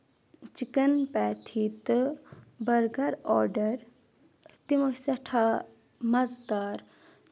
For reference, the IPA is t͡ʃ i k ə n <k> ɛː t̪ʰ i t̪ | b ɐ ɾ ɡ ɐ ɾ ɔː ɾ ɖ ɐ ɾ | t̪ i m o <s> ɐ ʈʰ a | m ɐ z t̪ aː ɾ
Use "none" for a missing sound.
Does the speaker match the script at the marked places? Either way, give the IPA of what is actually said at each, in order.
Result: p, s

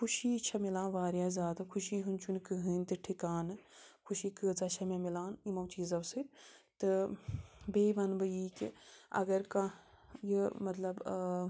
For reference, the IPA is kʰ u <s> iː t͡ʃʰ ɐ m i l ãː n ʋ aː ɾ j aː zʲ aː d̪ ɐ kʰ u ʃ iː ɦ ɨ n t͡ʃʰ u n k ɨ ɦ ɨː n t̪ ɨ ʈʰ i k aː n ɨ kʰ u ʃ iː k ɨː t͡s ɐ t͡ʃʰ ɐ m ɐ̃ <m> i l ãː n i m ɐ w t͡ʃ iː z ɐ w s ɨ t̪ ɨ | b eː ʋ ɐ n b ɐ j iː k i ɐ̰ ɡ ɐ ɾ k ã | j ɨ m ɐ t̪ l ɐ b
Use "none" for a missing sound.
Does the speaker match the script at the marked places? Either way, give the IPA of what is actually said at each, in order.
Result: ʃ, m

